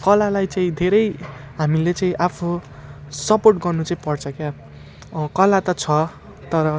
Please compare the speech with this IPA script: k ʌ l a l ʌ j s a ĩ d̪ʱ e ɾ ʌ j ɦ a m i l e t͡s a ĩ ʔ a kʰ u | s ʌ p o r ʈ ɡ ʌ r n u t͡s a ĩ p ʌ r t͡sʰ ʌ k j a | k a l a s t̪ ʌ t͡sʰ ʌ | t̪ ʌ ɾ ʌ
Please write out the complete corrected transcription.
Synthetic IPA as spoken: k ʌ l a l a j t͡s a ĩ d̪ʱ e ɾ ʌ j ɦ a m i l e t͡s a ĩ ʔ a pʰ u | s ʌ p o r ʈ ɡ ʌ r n u t͡s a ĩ p ʌ r t͡sʰ ʌ k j a | k ʌ l a t̪ ʌ t͡sʰ ʌ | t̪ ʌ ɾ ʌ